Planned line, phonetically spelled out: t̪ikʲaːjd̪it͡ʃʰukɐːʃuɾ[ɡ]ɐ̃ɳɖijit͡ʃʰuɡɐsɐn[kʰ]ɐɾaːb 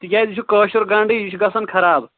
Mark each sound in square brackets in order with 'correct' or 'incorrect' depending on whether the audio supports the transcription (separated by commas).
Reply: correct, correct